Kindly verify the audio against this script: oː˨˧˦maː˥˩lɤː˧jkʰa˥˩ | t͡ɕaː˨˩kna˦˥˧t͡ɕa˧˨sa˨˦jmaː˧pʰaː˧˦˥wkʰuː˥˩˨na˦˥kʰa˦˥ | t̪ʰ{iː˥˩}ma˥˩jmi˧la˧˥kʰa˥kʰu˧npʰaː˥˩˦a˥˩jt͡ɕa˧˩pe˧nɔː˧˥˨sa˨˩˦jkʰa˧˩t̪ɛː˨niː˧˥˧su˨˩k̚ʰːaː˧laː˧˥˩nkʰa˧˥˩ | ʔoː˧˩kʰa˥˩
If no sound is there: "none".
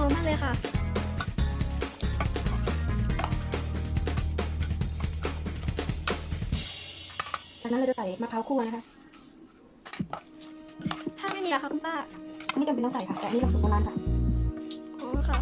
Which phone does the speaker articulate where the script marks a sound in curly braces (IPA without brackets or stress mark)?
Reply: aː˥˩